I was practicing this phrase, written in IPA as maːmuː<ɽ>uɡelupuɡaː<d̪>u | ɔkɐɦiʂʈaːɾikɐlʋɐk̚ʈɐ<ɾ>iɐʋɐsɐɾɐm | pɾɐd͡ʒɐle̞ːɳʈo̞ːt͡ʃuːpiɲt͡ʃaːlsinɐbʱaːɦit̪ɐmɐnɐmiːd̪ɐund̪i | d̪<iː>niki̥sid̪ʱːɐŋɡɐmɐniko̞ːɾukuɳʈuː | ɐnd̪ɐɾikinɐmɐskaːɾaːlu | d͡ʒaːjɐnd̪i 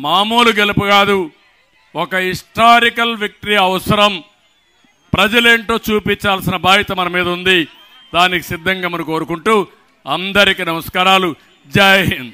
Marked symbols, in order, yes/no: no, yes, yes, no

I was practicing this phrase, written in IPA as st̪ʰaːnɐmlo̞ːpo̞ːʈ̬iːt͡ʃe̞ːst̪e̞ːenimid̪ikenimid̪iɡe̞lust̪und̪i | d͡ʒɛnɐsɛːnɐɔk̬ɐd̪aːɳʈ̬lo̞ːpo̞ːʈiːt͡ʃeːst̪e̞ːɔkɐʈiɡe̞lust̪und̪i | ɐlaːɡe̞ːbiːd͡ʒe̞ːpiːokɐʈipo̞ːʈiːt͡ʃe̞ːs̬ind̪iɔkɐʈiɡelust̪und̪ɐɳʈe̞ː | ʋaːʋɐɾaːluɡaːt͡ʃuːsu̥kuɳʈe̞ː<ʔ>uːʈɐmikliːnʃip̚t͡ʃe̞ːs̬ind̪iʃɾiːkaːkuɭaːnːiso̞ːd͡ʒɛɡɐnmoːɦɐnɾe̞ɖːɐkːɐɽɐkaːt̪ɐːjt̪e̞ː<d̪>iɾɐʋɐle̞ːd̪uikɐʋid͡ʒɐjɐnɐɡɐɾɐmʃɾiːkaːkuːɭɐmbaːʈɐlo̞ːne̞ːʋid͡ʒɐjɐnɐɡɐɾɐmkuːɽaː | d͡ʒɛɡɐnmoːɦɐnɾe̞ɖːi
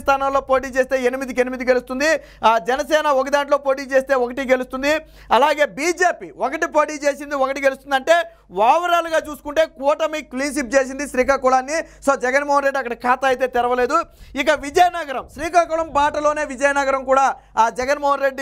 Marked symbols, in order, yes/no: no, no

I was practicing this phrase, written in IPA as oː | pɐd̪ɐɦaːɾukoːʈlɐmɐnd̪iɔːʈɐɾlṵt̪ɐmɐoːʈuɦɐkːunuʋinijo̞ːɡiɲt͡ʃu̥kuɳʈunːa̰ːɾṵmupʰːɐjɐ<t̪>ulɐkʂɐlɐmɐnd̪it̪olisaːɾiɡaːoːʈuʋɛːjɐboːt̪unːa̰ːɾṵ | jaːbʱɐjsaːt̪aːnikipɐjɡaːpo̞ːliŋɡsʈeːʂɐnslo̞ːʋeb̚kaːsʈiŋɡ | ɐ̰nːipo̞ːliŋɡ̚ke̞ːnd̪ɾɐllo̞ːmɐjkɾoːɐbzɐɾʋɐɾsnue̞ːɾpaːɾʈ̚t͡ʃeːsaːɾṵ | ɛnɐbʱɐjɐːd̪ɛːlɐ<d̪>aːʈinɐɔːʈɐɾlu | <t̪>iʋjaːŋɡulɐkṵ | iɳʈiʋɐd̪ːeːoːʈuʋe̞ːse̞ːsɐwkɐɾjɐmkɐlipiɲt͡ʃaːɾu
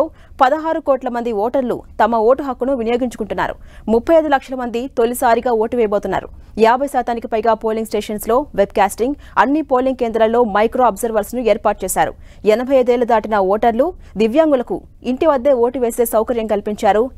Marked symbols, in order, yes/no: no, yes, no

